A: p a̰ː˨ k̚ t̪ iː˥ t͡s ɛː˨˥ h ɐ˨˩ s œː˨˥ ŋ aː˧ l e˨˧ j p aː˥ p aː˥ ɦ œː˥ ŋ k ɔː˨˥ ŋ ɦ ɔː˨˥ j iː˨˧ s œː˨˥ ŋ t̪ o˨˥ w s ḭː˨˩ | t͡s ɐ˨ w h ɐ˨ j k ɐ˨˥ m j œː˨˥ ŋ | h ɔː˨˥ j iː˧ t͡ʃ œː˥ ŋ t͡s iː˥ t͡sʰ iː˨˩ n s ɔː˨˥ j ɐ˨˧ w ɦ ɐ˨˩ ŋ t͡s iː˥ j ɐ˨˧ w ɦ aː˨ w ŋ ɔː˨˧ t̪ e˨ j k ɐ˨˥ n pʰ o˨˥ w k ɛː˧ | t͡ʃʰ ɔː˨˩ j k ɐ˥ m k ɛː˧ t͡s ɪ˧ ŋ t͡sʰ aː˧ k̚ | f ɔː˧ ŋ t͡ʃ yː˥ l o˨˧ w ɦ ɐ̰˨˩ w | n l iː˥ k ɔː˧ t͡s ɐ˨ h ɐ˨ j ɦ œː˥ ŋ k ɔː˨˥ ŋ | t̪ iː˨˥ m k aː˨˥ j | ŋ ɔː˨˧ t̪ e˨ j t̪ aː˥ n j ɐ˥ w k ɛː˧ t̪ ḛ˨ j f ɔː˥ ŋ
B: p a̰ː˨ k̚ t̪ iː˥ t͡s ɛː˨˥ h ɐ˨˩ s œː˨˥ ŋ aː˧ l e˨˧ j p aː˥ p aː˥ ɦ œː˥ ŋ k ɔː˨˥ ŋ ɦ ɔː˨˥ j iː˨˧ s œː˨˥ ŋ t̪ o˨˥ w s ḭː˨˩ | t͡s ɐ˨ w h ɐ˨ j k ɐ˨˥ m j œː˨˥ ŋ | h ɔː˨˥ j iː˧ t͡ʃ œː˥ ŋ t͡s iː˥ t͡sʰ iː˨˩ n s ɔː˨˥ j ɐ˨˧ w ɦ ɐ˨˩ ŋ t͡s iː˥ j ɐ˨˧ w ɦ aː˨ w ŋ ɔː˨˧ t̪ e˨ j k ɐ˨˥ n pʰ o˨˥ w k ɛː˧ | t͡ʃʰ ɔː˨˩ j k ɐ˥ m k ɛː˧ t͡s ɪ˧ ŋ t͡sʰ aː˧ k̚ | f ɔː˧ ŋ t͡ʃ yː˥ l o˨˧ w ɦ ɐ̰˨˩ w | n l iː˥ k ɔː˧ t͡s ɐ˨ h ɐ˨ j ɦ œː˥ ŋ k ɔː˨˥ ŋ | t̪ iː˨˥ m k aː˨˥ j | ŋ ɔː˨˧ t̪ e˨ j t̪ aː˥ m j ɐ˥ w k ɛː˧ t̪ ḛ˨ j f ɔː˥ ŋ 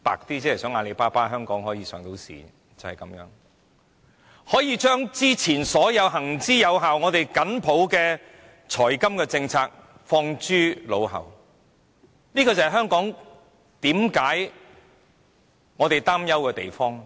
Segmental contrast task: B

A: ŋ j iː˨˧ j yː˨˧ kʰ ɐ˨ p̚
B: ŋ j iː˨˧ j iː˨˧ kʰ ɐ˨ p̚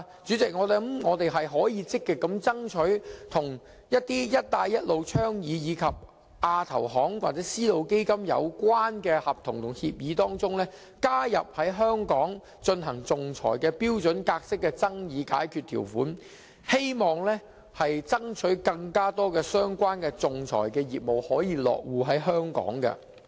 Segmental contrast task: B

